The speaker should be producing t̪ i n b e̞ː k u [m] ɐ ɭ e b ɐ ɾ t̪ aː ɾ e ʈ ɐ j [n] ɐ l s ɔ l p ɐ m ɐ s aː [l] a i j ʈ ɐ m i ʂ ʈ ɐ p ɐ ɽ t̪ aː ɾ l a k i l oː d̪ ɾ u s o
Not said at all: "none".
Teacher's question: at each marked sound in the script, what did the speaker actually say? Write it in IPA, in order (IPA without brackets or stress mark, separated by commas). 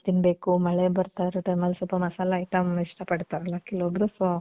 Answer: m, m, l